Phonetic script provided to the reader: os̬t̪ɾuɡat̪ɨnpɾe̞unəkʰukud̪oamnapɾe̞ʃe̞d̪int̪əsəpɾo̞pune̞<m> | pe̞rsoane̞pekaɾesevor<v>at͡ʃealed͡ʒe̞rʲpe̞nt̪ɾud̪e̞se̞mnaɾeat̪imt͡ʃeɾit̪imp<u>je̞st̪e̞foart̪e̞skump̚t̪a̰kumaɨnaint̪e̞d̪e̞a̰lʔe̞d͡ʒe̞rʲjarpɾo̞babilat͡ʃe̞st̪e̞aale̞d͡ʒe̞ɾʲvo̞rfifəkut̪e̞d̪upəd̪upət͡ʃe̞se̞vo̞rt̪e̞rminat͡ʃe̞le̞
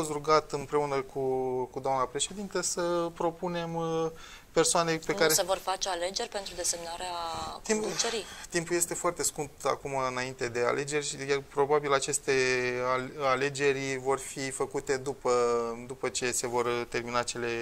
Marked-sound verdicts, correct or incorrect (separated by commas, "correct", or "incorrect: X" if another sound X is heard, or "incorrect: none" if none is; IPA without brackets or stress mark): correct, incorrect: f, correct